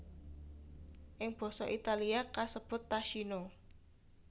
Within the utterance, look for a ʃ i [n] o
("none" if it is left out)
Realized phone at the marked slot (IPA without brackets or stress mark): n